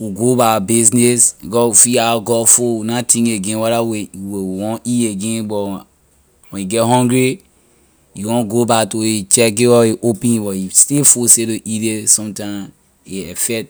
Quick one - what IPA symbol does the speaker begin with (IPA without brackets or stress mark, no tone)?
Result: w